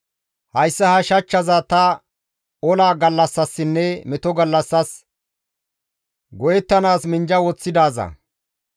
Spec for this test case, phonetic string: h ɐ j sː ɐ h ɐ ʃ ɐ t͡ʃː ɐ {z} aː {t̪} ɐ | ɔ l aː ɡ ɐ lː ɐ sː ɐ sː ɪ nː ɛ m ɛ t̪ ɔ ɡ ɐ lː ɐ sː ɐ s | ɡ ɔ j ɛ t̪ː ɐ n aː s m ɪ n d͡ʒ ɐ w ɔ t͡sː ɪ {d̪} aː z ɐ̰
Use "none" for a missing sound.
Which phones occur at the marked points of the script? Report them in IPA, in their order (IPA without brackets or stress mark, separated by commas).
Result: z, t̪, d̪